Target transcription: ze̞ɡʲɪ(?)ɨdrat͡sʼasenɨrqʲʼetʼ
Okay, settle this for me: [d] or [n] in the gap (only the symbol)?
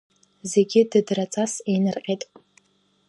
d